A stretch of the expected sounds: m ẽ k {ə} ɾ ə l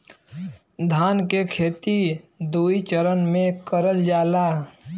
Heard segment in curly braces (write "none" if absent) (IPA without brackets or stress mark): ə